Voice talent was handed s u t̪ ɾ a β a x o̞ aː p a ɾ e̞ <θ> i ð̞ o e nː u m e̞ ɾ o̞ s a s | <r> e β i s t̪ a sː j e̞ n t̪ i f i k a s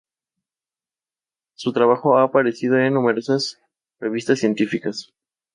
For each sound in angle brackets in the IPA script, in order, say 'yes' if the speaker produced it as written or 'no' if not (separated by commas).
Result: no, yes